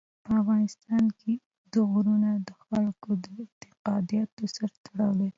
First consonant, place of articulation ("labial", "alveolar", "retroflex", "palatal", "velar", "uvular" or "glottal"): labial